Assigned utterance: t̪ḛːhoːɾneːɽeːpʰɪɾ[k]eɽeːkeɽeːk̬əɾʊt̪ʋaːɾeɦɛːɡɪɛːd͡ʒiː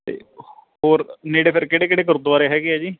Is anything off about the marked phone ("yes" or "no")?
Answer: no